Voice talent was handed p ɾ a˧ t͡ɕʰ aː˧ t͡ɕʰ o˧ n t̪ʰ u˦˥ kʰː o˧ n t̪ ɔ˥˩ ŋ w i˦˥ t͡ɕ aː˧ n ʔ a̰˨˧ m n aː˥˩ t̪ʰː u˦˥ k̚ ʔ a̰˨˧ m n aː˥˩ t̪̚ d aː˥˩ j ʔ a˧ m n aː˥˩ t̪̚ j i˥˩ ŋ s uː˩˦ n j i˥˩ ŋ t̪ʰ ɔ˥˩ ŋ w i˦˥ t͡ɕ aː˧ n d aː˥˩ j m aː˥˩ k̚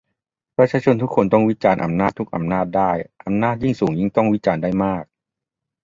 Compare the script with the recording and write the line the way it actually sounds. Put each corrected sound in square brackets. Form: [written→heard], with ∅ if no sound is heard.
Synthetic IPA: p ɾ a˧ t͡ɕʰ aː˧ t͡ɕʰ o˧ n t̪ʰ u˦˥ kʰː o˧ n t̪ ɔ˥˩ ŋ w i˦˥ t͡ɕ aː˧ n ʔ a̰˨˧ m n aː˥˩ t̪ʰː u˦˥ k̚ ʔ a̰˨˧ m n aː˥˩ t̪̚ d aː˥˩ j ʔ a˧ m n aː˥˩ t̪̚ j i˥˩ ŋ s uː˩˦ [n→ŋ] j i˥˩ ŋ [t̪ʰ→t̪] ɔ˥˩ ŋ w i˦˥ t͡ɕ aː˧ n d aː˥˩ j m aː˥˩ k̚